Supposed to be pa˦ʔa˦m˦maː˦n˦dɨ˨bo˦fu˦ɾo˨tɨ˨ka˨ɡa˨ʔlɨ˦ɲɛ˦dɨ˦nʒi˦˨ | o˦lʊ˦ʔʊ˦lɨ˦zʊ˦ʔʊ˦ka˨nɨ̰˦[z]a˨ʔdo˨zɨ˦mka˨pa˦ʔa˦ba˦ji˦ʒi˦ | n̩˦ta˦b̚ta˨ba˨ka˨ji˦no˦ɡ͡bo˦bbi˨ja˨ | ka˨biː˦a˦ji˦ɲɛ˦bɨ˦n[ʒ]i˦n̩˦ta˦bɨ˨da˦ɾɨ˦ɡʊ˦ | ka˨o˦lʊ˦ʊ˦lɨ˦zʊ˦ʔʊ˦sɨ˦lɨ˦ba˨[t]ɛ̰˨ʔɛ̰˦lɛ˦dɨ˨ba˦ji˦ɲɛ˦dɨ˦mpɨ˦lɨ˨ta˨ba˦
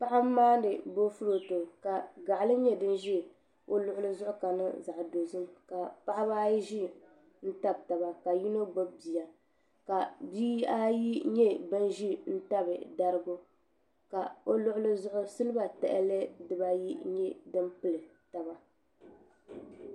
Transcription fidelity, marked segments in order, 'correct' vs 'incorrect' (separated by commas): correct, correct, correct